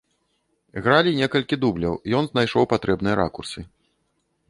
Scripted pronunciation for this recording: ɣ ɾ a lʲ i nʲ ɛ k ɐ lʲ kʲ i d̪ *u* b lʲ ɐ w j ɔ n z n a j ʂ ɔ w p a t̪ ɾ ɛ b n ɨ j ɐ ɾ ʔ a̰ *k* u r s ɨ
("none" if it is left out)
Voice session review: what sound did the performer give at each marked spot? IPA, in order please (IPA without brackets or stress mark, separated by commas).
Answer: u, k